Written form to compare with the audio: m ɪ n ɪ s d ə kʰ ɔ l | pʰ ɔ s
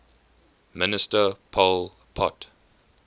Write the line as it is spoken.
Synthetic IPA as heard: m ɪ n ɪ s t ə pʰ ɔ l | pʰ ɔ t